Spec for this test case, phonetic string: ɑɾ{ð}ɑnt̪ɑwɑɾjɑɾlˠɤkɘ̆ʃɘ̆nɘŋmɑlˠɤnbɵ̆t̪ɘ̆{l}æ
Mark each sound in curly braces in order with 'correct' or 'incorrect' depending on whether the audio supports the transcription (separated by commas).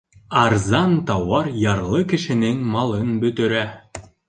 incorrect, incorrect